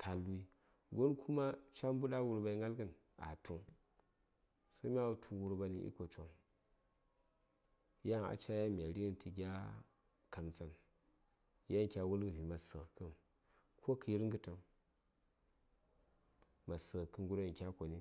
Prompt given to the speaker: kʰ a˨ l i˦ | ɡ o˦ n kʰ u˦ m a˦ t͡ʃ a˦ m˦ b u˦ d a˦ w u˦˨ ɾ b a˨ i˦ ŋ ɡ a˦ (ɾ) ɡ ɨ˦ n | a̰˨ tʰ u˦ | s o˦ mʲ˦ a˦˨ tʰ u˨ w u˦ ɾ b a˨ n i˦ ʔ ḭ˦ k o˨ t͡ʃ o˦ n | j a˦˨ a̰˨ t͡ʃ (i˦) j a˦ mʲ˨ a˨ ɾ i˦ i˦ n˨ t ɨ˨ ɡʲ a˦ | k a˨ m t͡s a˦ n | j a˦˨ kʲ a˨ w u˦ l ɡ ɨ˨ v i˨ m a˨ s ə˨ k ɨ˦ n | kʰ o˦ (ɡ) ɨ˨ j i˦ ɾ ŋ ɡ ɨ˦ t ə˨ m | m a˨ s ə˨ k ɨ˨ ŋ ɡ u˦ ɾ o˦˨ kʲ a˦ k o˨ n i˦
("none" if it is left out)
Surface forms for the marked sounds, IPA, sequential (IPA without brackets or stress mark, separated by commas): l, a˦, k